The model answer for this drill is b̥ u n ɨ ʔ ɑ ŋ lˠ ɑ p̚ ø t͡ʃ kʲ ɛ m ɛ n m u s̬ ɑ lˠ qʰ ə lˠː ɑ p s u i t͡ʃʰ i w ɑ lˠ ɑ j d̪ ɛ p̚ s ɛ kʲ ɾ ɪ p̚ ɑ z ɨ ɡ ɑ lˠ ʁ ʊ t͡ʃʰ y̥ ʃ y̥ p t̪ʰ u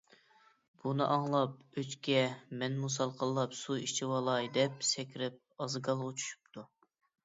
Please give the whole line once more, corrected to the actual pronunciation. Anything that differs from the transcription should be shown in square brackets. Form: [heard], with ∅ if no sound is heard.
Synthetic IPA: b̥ u n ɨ ʔ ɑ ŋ lˠ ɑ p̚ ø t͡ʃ kʲ ɛ m ɛ n m u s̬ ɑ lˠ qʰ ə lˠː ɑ p s u i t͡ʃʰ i w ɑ lˠ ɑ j d̪ ɛ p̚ s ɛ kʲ ɾ ɪ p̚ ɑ z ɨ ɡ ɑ lˠ ʁ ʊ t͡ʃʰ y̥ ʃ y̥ p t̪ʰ u